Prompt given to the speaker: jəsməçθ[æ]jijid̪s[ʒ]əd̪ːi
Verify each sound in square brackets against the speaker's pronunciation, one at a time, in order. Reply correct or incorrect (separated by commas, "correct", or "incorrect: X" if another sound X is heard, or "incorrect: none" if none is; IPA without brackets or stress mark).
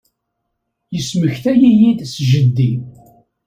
correct, correct